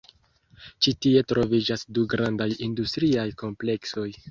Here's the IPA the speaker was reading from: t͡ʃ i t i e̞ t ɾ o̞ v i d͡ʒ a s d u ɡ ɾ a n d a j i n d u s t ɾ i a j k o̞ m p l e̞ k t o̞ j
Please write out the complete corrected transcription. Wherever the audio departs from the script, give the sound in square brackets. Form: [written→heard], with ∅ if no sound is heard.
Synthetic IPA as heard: t͡ʃ i t i e̞ t ɾ o̞ v i d͡ʒ a s d u ɡ ɾ a n d a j i n d u s t ɾ i a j k o̞ m p l e̞ k [t→s] o̞ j